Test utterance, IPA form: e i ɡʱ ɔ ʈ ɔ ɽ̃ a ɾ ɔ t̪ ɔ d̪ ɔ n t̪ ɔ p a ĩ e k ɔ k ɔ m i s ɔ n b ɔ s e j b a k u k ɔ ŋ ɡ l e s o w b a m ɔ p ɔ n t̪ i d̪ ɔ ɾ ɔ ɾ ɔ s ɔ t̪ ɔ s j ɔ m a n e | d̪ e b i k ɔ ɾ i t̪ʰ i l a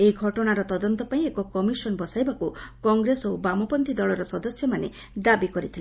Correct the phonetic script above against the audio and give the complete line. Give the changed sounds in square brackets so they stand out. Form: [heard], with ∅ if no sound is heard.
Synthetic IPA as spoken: e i ɡʱ ɔ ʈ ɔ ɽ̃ a ɾ ɔ t̪ ɔ d̪ ɔ n t̪ ɔ p a ĩ e k ɔ k ɔ m i s ɔ n b ɔ s [a] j b a k u k ɔ ŋ ɡ [ɾ] e s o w b a m ɔ p ɔ n t̪ i d̪ ɔ [ɭ] ɔ ɾ ɔ s ɔ [d̪] ɔ s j ɔ m a n e | d̪ [a] b i k ɔ ɾ i t̪ʰ i l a